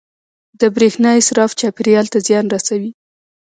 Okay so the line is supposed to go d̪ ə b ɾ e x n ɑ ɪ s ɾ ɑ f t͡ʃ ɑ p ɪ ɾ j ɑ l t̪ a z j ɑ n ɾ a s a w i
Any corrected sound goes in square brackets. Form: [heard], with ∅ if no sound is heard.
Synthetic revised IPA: d̪ ə b ɾ e x n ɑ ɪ s ɾ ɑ f t͡ʃ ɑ p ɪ ɾ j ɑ l t̪ a z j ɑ n ɾ a s a w i